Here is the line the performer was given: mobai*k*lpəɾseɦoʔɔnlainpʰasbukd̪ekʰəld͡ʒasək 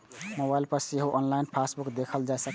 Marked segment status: incorrect: none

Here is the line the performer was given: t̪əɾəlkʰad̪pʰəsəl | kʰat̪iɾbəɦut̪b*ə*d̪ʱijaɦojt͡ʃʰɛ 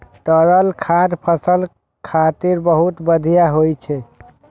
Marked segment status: correct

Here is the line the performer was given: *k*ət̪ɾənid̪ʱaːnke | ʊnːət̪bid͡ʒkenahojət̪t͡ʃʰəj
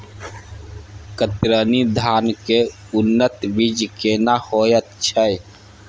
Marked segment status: correct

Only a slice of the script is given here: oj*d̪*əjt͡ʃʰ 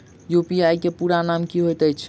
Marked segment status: incorrect: t̪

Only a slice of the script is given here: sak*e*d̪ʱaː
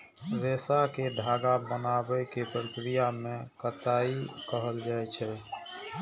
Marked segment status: correct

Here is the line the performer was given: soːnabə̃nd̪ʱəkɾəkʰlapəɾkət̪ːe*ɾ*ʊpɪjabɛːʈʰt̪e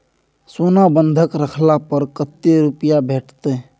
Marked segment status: correct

